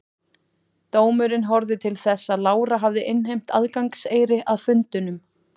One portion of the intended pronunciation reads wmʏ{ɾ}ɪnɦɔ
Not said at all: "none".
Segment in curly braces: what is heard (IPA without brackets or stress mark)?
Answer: ɾ